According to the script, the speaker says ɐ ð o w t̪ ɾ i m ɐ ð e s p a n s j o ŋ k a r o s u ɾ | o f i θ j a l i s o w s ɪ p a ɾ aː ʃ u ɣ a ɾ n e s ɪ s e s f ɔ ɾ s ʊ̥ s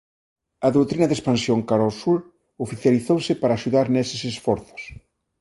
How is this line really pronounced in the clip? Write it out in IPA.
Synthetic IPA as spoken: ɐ ð o w t̪ ɾ i n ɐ ð e s p a n s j o ŋ k a ɾ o s u ɾ | o f i θ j a l i θ o w s ɪ p a ɾ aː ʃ u ð a ɾ n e s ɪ s e s f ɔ ɾ θ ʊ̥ s